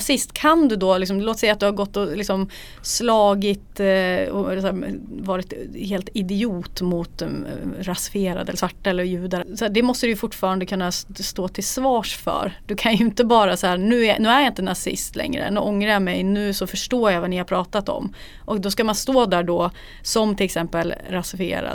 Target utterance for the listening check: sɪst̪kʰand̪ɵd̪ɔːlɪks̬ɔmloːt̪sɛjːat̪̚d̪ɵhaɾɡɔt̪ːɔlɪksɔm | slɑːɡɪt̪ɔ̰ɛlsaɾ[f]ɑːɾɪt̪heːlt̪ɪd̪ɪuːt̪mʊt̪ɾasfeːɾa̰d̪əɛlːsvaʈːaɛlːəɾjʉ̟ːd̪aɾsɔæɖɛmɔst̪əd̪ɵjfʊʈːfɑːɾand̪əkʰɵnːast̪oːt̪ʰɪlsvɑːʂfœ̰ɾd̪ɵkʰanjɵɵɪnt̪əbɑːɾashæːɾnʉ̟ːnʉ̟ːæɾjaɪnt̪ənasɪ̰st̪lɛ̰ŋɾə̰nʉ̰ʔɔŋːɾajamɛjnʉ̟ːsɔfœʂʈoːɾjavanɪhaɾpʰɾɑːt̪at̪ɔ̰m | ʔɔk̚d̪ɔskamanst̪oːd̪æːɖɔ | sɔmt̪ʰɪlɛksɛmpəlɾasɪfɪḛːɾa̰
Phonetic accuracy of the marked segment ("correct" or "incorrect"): incorrect